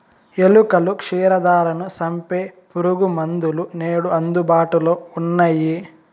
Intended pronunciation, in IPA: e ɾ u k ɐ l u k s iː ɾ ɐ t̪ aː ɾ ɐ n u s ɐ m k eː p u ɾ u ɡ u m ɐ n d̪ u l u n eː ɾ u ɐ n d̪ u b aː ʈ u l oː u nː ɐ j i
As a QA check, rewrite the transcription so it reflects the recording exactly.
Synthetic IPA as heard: e l u k ɐ l u k ʂ iː ɾ ɐ d̪ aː ɾ ɐ n u s ɐ m p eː p u ɾ u ɡ u m ɐ n d̪ u l u n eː ɽ u ɐ n d̪ u b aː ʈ u l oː u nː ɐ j i